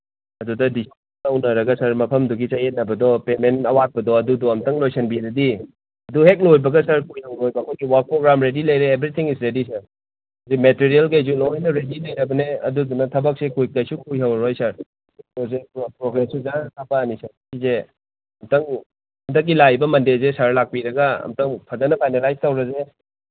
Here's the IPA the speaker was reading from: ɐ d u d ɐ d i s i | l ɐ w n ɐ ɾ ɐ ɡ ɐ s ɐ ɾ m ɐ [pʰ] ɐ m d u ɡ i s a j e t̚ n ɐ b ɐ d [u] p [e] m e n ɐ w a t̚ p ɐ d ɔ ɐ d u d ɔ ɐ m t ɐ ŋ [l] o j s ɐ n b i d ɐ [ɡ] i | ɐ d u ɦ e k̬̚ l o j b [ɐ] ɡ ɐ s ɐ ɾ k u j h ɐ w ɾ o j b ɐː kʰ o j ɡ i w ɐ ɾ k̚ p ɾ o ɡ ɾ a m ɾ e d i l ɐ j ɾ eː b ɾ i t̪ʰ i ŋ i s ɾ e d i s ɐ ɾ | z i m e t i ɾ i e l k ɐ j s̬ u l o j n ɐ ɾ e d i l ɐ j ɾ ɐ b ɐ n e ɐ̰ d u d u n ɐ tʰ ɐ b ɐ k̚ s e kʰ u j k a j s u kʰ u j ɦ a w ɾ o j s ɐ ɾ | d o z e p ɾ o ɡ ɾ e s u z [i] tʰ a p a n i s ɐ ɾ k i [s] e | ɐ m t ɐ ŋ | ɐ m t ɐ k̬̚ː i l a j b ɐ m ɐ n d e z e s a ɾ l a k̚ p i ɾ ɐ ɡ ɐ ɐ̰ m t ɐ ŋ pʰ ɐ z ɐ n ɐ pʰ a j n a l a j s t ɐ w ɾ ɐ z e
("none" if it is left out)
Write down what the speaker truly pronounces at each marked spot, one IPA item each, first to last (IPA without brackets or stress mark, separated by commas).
pʰ, ɔ, e, l, d, ɐ, a, z